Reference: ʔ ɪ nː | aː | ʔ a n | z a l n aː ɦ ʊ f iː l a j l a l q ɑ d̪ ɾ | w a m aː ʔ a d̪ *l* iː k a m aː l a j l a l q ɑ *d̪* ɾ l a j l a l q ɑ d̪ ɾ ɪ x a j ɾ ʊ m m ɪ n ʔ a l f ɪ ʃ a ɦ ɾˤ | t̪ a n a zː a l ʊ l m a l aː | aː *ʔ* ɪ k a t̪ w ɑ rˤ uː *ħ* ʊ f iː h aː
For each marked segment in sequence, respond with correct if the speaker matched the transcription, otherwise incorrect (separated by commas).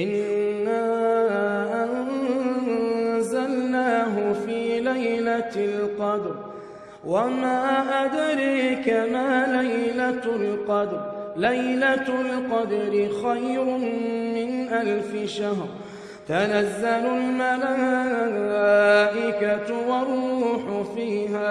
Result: incorrect, correct, correct, correct